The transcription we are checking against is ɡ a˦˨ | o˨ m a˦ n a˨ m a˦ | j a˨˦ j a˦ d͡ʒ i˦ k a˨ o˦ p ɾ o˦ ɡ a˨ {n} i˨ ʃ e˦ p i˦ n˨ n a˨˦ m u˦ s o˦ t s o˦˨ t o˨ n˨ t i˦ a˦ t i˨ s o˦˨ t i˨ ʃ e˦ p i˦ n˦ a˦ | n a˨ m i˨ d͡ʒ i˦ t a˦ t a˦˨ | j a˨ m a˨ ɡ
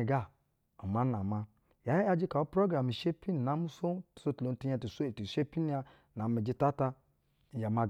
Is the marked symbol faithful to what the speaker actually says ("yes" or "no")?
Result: no